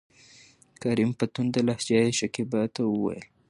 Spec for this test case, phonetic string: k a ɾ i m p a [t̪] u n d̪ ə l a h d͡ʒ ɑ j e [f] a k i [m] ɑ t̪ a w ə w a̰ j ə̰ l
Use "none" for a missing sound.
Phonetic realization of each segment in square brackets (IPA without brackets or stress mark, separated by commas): t̪, ʃ, b